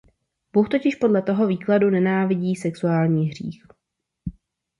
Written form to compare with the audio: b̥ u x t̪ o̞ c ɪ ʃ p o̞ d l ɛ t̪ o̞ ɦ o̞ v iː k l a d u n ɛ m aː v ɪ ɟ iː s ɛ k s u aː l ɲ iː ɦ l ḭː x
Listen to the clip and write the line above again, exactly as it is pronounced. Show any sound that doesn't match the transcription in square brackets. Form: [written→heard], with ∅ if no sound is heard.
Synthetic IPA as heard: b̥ u x t̪ o̞ c ɪ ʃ p o̞ d l ɛ t̪ o̞ ɦ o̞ v iː k l a d u n ɛ [m→n] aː v ɪ ɟ iː s ɛ k s u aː l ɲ iː ɦ [l→r] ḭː x